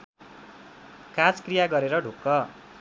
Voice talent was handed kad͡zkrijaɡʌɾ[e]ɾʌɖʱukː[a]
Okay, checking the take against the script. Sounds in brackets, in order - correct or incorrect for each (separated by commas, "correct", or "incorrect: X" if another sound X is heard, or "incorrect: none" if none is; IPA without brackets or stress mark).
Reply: correct, incorrect: ʌ